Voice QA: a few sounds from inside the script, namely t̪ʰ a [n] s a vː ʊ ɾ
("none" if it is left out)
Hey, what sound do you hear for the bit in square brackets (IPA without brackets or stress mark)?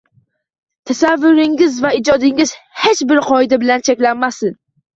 none